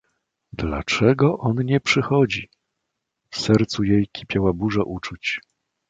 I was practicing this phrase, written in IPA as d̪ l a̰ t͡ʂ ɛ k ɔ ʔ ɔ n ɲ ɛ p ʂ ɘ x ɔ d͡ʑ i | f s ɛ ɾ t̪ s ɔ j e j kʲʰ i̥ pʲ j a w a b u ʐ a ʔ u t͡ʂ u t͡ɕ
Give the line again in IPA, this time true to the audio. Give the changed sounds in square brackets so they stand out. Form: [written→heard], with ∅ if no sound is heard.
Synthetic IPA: d̪ l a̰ t͡ʂ ɛ [k→ɡ] ɔ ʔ ɔ n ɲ ɛ p ʂ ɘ x ɔ d͡ʑ i | f s ɛ ɾ t̪ s [ɔ→u] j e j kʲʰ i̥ pʲ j a w a b u ʐ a ʔ u t͡ʂ u t͡ɕ